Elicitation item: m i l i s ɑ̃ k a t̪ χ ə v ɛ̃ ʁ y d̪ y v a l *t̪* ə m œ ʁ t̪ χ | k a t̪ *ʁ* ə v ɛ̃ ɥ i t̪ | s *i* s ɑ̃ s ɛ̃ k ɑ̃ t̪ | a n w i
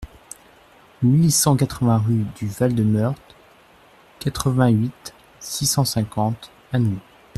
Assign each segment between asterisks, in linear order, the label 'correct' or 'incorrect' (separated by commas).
incorrect, incorrect, correct